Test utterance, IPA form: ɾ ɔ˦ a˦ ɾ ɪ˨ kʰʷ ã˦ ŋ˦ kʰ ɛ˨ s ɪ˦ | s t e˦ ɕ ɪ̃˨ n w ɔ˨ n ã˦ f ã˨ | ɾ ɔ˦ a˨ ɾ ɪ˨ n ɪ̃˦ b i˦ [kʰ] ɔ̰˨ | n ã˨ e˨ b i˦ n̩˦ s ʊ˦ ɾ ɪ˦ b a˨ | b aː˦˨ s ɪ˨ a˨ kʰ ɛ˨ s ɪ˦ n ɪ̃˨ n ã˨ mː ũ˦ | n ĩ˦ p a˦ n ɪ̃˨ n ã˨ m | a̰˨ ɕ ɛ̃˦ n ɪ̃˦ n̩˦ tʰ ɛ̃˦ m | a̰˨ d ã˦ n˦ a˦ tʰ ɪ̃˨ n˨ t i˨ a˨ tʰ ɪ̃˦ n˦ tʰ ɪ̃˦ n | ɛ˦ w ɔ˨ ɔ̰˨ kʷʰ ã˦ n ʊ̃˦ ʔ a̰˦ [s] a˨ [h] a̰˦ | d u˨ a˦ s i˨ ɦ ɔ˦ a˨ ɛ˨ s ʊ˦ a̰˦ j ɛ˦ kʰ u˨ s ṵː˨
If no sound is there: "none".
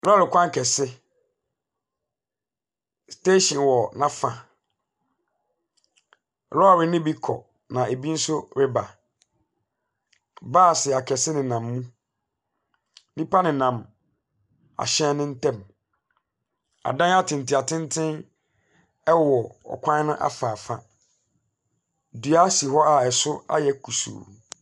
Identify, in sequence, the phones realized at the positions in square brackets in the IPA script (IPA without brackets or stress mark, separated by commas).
kʰ, f, f